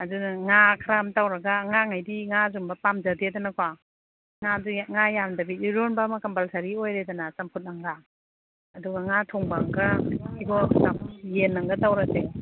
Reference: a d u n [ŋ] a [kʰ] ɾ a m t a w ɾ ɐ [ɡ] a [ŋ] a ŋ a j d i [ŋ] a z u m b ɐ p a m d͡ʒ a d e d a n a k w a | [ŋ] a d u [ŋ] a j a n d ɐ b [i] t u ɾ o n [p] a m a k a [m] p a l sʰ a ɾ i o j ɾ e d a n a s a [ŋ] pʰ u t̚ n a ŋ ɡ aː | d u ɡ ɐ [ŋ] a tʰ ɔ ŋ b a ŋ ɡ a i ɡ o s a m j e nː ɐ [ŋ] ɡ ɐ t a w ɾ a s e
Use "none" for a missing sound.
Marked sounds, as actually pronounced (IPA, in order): ŋ, kʰ, ɡ, ŋ, ŋ, ŋ, ŋ, i, b, m, m, ŋ, ŋ

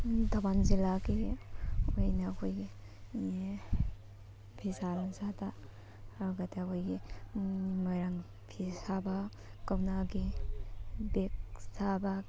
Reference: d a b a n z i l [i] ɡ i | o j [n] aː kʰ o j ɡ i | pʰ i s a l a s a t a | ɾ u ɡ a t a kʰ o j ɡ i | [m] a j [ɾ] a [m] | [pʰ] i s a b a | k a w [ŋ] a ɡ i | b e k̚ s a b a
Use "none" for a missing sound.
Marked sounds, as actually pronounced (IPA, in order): a, n, m, ɾ, ŋ, pʰ, n

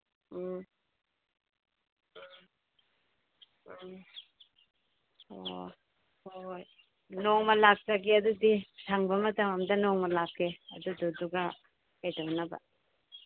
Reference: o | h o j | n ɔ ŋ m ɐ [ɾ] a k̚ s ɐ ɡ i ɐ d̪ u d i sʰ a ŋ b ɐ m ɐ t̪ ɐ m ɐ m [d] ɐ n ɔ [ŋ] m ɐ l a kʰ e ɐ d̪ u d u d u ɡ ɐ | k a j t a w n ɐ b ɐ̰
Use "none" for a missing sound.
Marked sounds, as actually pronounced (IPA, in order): l, d, ŋ

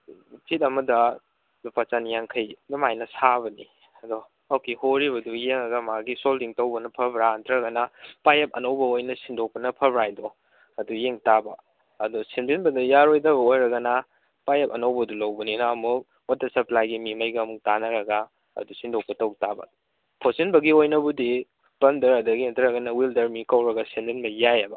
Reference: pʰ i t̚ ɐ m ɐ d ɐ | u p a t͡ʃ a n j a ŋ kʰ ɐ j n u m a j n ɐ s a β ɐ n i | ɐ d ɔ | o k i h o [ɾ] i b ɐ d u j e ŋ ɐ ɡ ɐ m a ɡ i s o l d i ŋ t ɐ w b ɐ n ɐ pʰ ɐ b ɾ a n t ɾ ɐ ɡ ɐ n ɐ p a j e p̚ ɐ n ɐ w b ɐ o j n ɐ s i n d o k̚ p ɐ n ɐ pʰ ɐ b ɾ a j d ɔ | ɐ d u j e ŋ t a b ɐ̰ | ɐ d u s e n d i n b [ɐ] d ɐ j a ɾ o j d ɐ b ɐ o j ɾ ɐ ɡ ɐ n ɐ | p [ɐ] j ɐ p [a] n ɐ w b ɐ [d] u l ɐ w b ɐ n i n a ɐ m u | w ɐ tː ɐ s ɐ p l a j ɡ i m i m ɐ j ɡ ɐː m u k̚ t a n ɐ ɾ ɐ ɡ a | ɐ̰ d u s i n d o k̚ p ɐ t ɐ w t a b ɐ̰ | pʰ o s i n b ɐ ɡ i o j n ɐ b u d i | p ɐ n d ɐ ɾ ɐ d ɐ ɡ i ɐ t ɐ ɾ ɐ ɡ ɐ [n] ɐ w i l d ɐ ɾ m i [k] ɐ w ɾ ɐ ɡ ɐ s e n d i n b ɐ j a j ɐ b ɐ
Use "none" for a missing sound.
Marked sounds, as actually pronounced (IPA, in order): ɾ, ɐ, a, ɐ, d, n, k

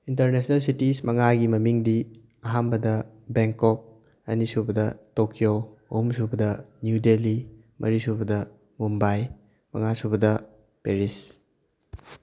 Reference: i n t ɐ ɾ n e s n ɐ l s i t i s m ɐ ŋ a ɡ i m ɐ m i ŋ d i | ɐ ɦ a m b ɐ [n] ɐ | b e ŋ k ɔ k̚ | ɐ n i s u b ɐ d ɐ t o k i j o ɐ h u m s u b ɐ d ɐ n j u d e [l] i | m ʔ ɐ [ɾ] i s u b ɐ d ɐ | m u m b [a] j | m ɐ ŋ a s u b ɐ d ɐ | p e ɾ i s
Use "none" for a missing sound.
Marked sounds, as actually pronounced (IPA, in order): d, l, ɾ, a

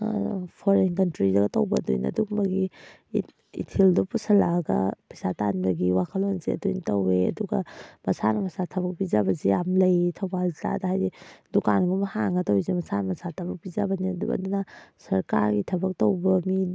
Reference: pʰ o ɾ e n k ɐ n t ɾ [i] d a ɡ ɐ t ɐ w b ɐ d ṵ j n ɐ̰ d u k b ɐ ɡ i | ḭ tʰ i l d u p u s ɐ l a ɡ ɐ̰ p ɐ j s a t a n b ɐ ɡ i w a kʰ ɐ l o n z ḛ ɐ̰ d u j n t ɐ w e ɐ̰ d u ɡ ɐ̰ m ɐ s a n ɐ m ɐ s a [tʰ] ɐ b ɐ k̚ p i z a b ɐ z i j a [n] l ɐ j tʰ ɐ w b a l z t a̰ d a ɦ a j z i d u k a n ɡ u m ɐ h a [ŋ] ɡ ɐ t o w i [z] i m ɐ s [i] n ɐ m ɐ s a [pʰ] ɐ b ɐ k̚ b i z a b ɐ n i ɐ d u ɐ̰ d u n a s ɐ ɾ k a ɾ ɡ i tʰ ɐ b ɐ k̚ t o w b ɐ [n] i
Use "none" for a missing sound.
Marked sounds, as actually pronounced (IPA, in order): i, tʰ, m, ŋ, z, a, tʰ, m

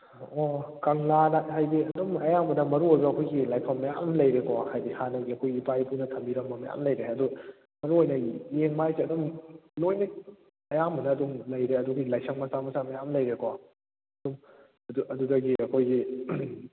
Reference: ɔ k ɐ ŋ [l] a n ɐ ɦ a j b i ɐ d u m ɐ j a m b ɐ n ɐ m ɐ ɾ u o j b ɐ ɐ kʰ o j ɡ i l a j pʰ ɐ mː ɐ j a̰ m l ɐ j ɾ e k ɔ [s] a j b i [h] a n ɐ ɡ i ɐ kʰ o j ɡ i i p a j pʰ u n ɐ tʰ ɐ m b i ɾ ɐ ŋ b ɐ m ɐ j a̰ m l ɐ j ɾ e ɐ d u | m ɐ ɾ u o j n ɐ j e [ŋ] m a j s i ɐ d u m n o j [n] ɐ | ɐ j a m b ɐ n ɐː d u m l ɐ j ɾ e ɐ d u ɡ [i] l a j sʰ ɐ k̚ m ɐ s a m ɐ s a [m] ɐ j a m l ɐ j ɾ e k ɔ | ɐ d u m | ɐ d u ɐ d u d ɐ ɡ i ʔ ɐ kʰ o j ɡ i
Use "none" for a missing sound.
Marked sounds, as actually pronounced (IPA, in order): l, h, h, ŋ, n, i, m

